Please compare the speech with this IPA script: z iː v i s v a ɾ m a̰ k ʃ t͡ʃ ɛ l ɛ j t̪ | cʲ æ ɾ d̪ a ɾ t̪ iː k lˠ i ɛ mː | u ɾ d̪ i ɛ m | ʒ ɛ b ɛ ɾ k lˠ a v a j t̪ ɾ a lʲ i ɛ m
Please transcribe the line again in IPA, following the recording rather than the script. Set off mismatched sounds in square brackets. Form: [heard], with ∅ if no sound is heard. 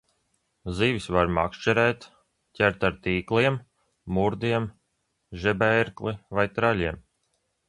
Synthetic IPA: z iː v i s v a ɾ m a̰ k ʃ t͡ʃ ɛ [ɾ] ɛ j t̪ | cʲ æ ɾ [t̪] a ɾ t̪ iː k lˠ i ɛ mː | u ɾ d̪ i ɛ m | ʒ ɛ b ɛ ɾ k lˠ [i] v a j t̪ ɾ a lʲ i ɛ m